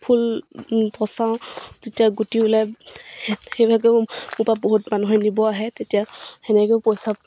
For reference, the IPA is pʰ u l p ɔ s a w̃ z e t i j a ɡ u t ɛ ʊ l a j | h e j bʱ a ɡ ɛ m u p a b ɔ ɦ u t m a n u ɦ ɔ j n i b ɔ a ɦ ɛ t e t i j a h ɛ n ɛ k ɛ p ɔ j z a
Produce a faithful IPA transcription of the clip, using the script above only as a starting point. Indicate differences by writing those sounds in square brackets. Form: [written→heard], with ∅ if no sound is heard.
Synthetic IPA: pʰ u l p ɔ s a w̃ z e t i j a ɡ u t [ɛ→i] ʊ l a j | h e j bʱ a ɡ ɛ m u p a b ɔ ɦ u t m a n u ɦ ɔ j n i b ɔ a ɦ ɛ t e t i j a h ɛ n ɛ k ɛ p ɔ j [z→s] a

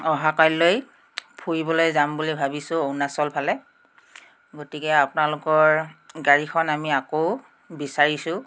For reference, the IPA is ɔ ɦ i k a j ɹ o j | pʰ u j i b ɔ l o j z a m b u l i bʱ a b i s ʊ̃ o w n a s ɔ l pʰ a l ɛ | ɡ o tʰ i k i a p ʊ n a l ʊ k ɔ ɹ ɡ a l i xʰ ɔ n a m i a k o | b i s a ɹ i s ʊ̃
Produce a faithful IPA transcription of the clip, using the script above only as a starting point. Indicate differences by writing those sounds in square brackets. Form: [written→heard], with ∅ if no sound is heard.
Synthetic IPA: ɔ ɦ [i→a] k a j [ɹ→l] o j | pʰ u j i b ɔ l o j z a m b u l i bʱ a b i s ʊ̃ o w n a s ɔ l pʰ a l ɛ | ɡ o [tʰ→t] i k [i→ɛ] a p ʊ n a l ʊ k ɔ ɹ ɡ a [l→ɹ] i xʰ ɔ n a m i a k o | b i s a ɹ i s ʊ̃

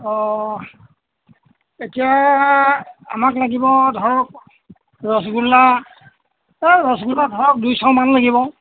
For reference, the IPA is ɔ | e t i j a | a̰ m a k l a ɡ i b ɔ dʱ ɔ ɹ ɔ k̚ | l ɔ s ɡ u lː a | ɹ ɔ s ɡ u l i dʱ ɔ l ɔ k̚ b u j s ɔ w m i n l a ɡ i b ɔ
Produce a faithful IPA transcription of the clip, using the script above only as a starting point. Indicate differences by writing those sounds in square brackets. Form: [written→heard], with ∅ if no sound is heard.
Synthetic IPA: ɔ | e t i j a | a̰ m a k l a ɡ i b ɔ dʱ ɔ ɹ ɔ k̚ | [l→ɹ] ɔ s ɡ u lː a | ɹ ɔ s ɡ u l [i→a] dʱ ɔ [l→ɹ] ɔ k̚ [b→d] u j s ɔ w m [i→a] n l a ɡ i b ɔ

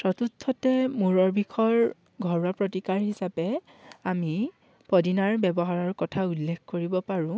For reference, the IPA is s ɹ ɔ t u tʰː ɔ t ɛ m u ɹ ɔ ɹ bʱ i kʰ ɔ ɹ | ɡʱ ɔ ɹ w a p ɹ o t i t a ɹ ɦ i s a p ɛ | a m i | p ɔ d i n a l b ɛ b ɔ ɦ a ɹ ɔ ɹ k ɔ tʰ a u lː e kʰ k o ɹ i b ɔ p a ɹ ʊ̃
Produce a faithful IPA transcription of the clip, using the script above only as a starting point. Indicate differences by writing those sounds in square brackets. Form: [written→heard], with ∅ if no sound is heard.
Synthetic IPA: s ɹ ɔ t u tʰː ɔ t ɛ m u ɹ ɔ ɹ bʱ i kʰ ɔ ɹ | ɡʱ ɔ ɹ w a p ɹ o t i [t→k] a ɹ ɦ i s a p ɛ | a m i | p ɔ d i n a [l→ɹ] b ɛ b ɔ ɦ a ɹ ɔ ɹ k ɔ tʰ a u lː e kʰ k o ɹ i b ɔ p a ɹ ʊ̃

